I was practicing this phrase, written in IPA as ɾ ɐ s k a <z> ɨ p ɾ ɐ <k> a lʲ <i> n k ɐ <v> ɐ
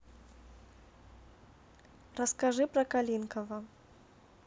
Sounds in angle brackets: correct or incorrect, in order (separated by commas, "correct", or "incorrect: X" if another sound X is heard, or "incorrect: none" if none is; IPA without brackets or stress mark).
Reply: incorrect: ʐ, correct, correct, correct